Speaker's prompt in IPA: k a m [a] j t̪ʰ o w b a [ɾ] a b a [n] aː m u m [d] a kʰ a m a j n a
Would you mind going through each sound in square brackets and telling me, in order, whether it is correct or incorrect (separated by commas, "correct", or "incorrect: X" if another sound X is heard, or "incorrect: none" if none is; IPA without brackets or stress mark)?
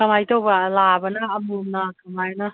correct, incorrect: l, correct, incorrect: n